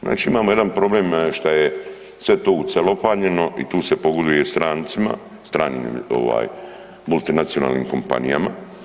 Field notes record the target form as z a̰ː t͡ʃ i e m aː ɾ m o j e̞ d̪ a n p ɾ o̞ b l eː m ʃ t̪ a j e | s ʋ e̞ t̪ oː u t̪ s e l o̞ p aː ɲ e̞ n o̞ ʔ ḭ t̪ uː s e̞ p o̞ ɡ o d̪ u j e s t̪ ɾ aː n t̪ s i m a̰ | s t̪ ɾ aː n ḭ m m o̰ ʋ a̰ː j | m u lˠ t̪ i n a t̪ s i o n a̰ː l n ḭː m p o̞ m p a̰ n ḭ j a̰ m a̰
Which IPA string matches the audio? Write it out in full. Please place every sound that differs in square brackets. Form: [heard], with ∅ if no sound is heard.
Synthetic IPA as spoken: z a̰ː t͡ʃ i [i] m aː [∅] m o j e̞ d̪ a n p ɾ o̞ b l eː m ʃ t̪ a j e | s ʋ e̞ t̪ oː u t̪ s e l o̞ p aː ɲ e̞ n o̞ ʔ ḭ t̪ uː s e̞ p o̞ ɡ o d̪ u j e s t̪ ɾ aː n t̪ s i m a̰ | s t̪ ɾ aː n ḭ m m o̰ ʋ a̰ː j | m u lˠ t̪ i n a t̪ s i o n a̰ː l n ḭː m [k] o̞ m p a̰ n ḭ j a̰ m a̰